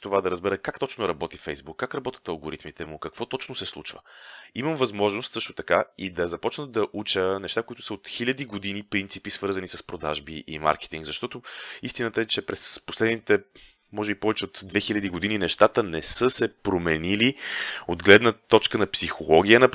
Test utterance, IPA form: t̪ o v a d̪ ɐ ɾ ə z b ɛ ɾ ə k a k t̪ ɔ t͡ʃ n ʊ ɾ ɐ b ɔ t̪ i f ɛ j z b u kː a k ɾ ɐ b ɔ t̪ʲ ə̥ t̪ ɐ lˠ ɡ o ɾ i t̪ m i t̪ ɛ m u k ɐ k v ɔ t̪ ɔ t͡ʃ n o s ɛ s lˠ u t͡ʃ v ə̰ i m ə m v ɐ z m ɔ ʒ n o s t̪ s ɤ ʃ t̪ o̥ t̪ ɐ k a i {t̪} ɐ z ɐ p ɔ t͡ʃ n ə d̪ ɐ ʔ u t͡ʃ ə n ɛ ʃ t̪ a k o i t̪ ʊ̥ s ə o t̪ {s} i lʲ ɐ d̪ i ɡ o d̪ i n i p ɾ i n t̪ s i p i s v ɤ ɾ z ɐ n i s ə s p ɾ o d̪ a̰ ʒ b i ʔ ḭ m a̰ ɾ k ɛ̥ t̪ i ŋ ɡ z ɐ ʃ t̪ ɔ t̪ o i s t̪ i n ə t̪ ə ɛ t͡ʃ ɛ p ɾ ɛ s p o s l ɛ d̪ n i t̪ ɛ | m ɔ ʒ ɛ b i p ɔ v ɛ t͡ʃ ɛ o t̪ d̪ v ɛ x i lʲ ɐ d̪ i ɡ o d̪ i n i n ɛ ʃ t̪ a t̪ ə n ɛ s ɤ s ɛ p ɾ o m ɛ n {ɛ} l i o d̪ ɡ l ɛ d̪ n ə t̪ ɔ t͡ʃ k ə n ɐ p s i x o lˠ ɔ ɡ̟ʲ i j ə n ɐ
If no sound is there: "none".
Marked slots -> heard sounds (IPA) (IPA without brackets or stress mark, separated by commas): d̪, x, i